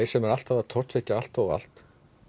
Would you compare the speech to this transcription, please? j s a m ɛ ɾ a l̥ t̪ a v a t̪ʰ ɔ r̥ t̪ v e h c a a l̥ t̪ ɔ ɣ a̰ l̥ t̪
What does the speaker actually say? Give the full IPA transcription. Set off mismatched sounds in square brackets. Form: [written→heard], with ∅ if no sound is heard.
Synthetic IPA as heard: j s [a→ɛ] m ɛ ɾ a l̥ t̪ a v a t̪ʰ ɔ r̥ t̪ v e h c a a l̥ t̪ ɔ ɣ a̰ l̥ t̪